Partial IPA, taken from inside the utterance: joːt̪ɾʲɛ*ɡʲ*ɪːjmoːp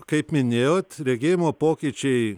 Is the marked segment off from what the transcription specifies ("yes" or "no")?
no